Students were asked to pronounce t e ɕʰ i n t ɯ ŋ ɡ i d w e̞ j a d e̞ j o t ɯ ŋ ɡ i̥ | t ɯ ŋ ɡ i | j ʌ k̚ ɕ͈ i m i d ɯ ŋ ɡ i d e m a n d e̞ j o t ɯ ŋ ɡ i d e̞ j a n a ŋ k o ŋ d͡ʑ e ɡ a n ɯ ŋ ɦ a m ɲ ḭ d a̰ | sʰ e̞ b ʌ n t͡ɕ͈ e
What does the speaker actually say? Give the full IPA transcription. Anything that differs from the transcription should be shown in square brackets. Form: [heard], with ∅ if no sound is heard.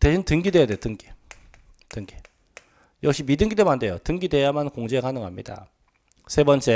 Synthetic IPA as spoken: t e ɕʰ i n t ɯ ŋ ɡ i d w e̞ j a d e̞ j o t ɯ ŋ ɡ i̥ | t ɯ ŋ ɡ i | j ʌ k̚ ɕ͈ i m i d ɯ ŋ ɡ i d e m a n d e̞ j o t ɯ ŋ ɡ i d e̞ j a [m] a [n] k o ŋ d͡ʑ e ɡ a n ɯ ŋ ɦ a m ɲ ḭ d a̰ | sʰ e̞ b ʌ n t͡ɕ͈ e